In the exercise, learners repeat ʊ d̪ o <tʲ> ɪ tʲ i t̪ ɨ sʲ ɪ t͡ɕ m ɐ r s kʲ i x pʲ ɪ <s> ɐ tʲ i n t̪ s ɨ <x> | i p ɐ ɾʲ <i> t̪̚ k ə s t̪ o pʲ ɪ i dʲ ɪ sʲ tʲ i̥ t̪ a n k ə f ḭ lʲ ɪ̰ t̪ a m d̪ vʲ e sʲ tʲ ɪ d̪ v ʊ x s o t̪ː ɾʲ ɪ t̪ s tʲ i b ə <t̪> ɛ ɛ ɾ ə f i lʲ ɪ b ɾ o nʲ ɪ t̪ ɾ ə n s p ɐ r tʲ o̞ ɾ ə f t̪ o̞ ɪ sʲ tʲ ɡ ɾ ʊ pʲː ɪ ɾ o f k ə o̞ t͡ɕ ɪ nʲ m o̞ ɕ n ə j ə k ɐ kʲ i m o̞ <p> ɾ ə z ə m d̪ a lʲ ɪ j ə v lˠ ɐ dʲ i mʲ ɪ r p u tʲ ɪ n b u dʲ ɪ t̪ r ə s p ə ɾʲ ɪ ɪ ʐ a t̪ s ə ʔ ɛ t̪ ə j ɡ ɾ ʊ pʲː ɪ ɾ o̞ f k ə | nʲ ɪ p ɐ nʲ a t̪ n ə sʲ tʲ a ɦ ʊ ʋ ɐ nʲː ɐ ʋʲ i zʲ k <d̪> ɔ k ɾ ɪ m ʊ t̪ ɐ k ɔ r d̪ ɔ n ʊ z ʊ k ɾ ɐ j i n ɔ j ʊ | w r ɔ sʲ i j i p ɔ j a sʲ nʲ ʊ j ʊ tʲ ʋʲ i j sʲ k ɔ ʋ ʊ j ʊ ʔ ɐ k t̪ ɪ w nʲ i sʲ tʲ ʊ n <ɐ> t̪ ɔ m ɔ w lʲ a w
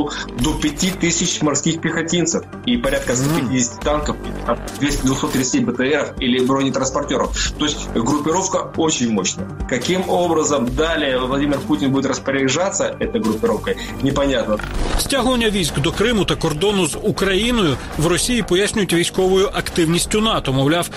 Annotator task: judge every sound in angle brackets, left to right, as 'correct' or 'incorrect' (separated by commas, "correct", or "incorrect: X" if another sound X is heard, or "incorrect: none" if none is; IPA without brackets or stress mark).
incorrect: pʲ, incorrect: x, incorrect: f, incorrect: a, correct, incorrect: b, correct, incorrect: ɑ